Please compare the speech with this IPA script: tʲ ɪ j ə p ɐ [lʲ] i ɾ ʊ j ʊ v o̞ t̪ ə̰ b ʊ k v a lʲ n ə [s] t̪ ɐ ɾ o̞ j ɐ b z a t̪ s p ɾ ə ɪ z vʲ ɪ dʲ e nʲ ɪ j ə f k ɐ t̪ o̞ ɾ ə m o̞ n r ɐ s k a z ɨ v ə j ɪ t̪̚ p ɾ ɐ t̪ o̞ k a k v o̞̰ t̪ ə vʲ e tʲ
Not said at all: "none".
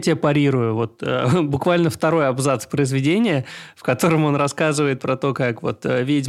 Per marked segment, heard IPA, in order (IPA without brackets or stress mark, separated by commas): ɾʲ, f